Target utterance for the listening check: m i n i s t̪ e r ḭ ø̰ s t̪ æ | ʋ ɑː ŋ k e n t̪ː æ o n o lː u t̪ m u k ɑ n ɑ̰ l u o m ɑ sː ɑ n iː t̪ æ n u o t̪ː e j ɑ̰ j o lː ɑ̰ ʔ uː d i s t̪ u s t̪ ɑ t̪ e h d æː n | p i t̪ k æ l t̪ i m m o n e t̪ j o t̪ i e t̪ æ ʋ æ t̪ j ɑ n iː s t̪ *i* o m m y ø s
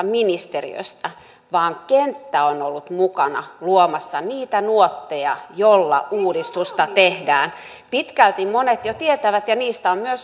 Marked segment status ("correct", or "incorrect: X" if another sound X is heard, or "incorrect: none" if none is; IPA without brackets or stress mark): incorrect: æ